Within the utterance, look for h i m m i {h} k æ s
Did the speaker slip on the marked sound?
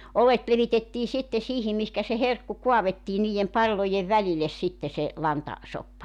no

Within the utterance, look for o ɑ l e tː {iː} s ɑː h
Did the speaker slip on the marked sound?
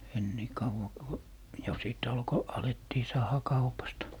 no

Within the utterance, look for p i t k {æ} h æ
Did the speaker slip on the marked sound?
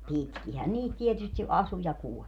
yes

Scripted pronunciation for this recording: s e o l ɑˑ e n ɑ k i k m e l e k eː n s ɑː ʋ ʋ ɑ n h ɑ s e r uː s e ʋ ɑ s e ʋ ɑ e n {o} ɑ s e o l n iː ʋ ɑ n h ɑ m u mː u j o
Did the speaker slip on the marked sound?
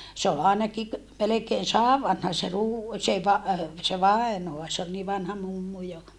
no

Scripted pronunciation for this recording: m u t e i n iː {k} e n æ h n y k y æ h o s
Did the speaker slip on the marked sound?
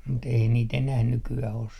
yes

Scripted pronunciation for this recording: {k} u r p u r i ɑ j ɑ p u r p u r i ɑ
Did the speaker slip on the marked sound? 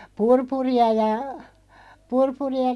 yes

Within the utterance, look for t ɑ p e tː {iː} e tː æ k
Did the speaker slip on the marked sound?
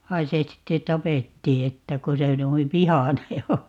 no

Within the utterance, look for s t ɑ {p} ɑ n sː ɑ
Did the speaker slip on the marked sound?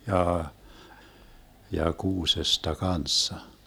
yes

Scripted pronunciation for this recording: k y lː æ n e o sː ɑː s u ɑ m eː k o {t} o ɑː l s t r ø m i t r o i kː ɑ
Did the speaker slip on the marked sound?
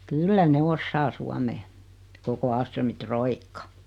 yes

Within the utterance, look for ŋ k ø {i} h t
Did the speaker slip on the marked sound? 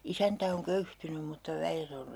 yes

